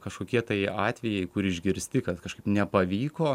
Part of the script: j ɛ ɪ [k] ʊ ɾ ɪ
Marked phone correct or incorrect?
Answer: correct